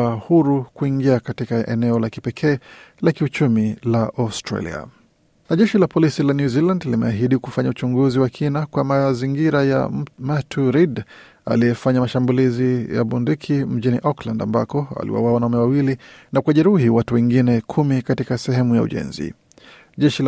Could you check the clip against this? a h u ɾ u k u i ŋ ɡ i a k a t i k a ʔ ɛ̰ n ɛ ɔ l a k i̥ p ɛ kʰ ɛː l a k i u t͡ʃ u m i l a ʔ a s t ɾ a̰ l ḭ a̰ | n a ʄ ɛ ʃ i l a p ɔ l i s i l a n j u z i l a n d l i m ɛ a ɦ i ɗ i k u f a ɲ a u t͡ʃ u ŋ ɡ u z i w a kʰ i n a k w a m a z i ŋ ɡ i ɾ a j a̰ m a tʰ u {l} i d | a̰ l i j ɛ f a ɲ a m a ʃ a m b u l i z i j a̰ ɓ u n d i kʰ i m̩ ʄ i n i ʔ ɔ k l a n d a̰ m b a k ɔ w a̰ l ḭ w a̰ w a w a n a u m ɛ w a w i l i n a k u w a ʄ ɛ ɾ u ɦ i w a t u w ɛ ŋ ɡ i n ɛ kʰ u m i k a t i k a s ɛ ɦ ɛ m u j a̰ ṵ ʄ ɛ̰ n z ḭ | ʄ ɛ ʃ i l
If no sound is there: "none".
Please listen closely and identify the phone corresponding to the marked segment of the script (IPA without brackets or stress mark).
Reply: ɾ